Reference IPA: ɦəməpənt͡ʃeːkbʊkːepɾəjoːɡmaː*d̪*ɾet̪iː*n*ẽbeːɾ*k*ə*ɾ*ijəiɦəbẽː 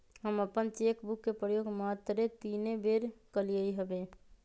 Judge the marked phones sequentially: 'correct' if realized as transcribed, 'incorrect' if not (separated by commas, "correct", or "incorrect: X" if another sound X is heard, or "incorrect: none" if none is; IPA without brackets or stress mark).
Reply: incorrect: t̪, correct, correct, incorrect: l